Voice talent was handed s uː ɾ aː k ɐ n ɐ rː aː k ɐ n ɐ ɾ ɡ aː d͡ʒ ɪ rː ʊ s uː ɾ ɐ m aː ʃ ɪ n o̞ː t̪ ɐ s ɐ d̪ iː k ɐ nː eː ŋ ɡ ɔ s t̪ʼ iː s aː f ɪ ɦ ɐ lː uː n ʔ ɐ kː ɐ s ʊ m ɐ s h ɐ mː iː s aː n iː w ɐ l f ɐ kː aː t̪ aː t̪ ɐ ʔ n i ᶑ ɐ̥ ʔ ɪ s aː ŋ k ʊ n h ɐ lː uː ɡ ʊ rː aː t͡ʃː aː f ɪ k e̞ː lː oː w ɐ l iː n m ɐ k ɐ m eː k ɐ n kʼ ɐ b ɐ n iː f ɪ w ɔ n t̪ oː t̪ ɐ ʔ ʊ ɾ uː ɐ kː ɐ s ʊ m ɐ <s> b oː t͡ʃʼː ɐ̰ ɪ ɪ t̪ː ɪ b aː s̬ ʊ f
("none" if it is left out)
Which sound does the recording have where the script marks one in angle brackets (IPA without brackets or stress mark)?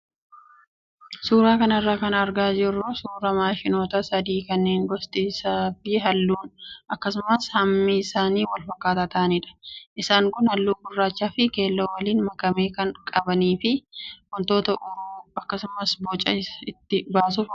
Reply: s